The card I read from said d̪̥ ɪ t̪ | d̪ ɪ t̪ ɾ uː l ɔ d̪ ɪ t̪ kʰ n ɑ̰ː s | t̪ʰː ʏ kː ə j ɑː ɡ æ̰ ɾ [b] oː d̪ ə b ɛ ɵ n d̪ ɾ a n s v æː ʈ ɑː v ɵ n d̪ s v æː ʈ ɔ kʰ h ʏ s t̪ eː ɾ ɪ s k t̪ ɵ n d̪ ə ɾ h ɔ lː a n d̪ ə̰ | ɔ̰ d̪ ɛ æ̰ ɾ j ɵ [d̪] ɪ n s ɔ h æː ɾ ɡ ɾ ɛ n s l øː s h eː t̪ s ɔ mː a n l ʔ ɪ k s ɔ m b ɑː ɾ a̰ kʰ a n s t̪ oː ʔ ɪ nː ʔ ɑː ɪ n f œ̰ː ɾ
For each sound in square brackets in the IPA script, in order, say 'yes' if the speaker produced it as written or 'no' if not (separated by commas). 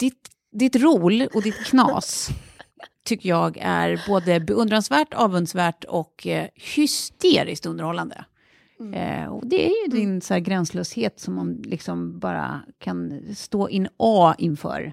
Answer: yes, yes